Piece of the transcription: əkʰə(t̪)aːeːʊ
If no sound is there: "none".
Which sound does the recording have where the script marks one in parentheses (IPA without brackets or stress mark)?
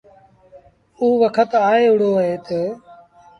t̪